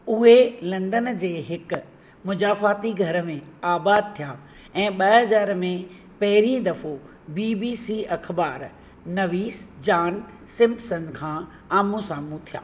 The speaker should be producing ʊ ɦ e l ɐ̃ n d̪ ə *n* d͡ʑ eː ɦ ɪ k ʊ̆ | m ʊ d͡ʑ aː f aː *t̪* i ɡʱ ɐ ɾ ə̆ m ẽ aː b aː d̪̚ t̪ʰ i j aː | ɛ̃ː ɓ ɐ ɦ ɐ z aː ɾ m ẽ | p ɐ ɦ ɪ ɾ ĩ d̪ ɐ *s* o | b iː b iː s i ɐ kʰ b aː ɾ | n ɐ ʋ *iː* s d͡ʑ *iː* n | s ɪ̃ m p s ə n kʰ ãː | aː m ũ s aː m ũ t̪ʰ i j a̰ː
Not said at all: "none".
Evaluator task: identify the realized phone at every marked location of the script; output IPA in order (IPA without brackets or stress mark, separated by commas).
n, t̪, f, iː, aː